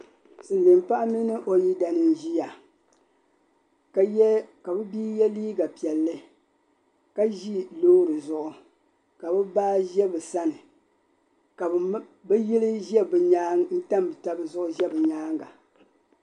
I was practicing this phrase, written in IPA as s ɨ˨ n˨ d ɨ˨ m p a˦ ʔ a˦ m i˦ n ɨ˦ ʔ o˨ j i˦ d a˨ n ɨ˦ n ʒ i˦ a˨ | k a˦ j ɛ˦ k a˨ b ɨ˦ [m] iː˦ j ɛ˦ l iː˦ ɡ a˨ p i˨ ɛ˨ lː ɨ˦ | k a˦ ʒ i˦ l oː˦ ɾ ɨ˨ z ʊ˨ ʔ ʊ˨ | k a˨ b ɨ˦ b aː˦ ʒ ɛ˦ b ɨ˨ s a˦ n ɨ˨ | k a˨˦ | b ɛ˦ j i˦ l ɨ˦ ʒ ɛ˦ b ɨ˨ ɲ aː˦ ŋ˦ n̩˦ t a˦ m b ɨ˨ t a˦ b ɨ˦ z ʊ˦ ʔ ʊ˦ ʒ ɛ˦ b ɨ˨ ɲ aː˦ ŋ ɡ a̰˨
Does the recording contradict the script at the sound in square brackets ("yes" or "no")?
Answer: yes